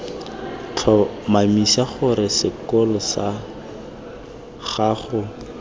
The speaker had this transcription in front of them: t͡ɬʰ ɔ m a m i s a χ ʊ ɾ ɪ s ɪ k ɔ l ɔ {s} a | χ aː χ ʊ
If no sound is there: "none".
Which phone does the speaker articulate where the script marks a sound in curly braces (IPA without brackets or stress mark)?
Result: s